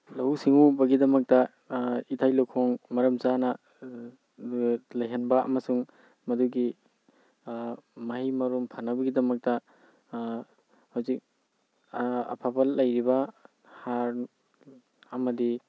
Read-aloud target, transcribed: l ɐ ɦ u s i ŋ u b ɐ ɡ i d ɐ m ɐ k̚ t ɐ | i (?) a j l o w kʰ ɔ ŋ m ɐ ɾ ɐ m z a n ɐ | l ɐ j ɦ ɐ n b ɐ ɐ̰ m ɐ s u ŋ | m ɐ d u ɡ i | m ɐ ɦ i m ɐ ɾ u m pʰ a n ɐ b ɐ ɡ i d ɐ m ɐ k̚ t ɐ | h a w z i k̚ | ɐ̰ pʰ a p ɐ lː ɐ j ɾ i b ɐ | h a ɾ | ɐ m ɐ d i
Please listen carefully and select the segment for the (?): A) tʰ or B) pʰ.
A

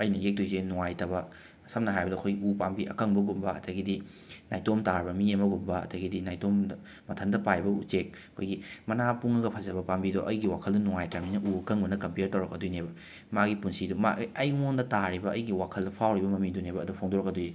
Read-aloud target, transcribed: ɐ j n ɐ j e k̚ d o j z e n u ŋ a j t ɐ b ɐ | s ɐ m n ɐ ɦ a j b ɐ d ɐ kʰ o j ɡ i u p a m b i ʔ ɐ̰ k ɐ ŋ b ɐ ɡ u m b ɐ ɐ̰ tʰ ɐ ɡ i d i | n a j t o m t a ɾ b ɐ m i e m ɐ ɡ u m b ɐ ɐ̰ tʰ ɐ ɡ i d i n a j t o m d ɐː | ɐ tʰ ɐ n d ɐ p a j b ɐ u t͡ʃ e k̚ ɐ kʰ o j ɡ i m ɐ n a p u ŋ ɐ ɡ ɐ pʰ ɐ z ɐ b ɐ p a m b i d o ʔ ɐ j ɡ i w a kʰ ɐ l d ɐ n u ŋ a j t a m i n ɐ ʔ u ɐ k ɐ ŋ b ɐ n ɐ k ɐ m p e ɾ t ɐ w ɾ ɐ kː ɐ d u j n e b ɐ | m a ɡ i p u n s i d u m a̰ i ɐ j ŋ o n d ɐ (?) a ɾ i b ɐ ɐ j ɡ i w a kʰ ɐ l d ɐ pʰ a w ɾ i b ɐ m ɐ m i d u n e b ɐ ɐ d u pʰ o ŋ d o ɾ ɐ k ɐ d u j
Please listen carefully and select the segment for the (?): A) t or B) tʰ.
A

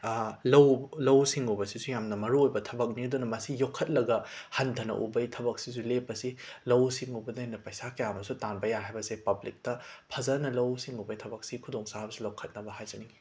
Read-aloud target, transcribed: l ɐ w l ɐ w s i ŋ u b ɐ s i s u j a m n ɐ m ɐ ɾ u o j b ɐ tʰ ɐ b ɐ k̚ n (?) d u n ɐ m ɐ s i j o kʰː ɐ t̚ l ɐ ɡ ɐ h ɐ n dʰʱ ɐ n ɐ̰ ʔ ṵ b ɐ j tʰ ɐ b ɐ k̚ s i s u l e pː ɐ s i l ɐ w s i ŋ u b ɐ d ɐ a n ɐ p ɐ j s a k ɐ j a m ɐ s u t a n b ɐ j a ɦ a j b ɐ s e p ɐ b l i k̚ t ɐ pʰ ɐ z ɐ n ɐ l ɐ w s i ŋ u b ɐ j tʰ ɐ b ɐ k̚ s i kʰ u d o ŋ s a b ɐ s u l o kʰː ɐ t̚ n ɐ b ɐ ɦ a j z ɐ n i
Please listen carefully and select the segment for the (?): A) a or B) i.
B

